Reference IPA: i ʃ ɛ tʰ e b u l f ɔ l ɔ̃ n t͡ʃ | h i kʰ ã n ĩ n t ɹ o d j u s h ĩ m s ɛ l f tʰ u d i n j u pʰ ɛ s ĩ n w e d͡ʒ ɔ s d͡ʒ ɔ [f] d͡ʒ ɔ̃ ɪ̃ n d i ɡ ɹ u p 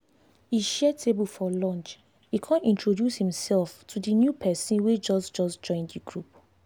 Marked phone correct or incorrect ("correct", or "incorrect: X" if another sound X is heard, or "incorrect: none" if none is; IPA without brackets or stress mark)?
incorrect: s